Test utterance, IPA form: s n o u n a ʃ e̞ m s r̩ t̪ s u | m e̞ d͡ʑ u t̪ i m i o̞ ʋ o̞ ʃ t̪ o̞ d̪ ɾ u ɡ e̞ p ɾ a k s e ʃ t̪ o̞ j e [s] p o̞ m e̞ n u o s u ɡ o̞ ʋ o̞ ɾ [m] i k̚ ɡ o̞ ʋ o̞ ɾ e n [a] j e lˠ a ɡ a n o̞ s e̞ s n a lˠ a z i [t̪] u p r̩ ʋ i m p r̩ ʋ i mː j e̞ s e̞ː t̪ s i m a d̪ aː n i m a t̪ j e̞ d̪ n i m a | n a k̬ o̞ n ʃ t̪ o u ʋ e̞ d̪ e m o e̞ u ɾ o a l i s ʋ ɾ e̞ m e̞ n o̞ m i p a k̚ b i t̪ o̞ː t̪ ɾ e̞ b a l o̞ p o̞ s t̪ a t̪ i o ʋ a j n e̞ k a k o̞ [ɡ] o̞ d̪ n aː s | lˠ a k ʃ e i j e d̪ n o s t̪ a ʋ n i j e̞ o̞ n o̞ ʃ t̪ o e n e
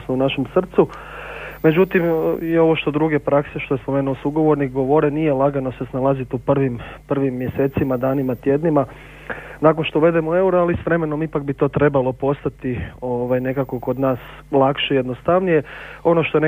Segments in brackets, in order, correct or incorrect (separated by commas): correct, incorrect, incorrect, correct, incorrect